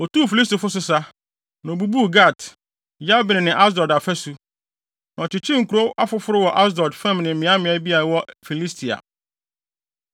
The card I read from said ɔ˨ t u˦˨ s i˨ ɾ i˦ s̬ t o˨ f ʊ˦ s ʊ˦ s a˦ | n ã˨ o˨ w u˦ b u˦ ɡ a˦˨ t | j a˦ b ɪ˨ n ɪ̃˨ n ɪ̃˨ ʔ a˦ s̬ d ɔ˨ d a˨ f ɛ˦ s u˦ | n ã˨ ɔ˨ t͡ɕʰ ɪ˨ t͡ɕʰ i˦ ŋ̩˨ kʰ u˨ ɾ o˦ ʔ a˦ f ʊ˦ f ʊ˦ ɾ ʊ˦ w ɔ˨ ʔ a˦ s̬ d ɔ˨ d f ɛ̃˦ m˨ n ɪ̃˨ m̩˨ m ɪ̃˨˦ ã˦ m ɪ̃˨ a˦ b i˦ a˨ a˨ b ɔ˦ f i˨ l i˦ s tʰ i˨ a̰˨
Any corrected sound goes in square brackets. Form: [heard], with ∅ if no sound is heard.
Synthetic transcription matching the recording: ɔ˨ t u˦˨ [f] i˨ [l] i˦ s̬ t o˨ f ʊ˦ s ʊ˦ s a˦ | n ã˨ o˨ [b] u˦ b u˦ ɡ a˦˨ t | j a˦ b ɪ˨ n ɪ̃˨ n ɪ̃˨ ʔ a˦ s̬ d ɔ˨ d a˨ f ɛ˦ s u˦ | n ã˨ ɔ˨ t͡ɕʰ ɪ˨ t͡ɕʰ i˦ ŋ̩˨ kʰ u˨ ɾ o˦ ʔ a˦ f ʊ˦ f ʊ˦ ɾ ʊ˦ w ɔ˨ ʔ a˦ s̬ d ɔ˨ d f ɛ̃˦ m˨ n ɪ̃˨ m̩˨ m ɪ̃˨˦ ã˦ m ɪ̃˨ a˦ b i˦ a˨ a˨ [w] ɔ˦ f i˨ l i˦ s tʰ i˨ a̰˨